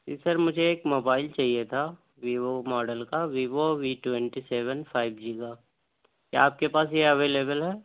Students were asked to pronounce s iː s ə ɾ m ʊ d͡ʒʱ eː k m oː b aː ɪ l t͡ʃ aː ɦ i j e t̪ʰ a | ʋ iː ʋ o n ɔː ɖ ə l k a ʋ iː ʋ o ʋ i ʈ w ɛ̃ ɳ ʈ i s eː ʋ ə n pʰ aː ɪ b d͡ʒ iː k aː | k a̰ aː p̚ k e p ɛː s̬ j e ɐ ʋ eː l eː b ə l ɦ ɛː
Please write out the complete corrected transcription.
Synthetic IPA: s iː s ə ɾ m ʊ d͡ʒʱ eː k m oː b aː ɪ l t͡ʃ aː ɦ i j e t̪ʰ a | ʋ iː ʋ o m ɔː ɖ ə l k a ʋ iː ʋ o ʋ i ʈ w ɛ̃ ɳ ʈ i s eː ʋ ə n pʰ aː ɪ b d͡ʒ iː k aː | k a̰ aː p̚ k e p aː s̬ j e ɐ ʋ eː l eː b ə l ɦ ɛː